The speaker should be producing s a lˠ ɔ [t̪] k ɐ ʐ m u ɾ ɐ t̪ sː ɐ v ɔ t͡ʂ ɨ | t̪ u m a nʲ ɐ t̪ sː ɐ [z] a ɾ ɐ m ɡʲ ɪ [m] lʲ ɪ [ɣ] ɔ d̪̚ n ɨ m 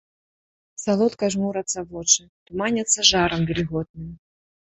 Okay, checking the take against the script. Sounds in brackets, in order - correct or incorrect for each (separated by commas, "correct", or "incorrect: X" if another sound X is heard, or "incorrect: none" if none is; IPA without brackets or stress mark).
correct, incorrect: ʐ, incorrect: none, correct